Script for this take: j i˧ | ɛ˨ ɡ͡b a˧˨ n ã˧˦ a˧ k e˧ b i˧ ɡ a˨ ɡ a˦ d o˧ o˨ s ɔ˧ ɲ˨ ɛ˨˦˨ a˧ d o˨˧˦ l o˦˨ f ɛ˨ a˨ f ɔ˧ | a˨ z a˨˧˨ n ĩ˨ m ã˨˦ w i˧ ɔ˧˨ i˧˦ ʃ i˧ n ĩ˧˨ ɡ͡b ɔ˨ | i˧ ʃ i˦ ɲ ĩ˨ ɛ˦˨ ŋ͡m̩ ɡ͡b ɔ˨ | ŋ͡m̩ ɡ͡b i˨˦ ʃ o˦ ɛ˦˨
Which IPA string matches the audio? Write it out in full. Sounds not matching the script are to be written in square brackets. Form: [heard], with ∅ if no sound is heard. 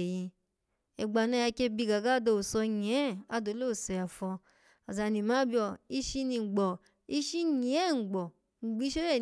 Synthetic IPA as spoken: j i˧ | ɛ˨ ɡ͡b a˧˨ n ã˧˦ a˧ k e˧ b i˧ ɡ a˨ ɡ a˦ d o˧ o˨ s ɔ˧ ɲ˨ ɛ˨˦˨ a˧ d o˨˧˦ l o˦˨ [s] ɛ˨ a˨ f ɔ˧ | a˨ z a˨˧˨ n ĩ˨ m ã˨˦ [b] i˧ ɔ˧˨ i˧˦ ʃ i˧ n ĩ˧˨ ɡ͡b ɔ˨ | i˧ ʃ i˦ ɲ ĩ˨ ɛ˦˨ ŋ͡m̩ ɡ͡b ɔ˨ | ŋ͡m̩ ɡ͡b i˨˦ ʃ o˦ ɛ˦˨

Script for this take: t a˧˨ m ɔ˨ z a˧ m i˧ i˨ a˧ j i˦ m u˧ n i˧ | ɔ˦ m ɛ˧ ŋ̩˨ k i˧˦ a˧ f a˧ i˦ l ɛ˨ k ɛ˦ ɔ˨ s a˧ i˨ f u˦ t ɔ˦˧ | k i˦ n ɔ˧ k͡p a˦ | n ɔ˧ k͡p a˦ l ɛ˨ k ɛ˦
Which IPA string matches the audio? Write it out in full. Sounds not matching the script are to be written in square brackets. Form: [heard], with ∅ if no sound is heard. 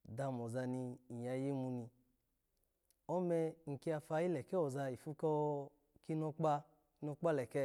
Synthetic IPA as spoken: [d] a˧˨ m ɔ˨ z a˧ [n] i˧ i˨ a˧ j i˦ m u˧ n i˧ | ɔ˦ m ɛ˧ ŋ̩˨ k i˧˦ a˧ f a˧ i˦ l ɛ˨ k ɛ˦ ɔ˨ [z] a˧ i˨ f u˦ [k] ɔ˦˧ | k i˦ n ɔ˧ k͡p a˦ | n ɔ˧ k͡p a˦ l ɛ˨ k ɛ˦

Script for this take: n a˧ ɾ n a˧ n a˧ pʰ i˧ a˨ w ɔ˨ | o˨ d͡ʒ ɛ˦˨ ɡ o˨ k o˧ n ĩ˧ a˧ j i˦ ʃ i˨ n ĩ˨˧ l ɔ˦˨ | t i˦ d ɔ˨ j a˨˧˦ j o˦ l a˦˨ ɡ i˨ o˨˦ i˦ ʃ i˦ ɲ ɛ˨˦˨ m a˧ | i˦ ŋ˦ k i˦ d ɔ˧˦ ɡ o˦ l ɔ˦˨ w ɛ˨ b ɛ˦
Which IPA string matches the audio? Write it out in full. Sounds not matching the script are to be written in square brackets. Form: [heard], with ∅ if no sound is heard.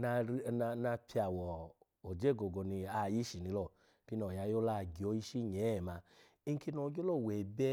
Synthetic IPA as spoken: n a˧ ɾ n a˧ n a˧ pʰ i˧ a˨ w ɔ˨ | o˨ d͡ʒ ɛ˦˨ ɡ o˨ [ɡ] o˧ n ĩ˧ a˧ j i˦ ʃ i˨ n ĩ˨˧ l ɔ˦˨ | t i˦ [n] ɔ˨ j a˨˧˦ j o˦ l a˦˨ ɡ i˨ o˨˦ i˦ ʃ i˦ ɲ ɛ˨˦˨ m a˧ | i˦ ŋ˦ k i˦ [n] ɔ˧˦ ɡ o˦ l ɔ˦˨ w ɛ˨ b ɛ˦

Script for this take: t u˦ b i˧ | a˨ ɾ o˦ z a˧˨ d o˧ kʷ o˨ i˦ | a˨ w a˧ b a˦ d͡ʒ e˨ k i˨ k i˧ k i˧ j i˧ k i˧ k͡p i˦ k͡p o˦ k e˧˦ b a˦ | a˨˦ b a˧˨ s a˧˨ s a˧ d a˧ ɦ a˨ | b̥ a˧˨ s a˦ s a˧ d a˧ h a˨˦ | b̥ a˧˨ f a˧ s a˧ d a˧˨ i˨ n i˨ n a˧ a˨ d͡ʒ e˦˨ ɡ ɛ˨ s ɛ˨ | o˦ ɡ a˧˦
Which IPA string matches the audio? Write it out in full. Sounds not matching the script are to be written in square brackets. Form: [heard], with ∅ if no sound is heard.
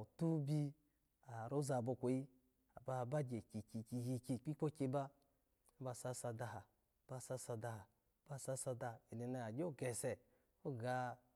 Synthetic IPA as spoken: t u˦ b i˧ | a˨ ɾ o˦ z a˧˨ [b] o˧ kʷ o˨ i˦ | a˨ [b] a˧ b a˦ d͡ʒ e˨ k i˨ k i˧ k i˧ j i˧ k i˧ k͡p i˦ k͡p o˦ k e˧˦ b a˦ | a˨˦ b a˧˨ s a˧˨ s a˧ d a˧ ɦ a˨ | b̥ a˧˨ s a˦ s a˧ d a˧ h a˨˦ | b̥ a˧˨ [s] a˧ s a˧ d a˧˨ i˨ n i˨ n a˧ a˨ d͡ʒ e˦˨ ɡ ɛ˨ s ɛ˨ | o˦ ɡ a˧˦

